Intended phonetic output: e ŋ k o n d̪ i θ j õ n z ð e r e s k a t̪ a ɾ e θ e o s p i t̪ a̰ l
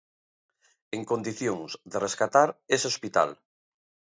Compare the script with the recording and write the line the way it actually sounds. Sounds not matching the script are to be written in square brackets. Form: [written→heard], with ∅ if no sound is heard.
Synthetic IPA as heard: e ŋ k o n d̪ i θ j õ [n→ŋ] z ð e r e s k a t̪ a ɾ e [θ→s] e o s p i t̪ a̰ l